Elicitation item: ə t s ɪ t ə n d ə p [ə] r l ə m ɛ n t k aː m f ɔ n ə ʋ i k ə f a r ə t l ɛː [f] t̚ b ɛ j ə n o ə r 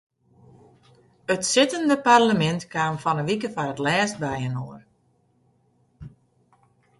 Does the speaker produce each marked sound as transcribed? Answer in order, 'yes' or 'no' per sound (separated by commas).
no, no